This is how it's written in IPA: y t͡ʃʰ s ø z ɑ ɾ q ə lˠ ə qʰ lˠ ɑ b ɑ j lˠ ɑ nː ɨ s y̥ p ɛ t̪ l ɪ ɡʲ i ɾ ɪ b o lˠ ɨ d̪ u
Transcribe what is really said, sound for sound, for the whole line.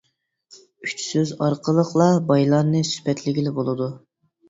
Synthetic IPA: y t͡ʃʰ s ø z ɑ ɾ q ə lˠ ə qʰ lˠ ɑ b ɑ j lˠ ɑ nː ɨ s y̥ p ɛ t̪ l ɪ ɡʲ i l ɪ b o lˠ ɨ d̪ u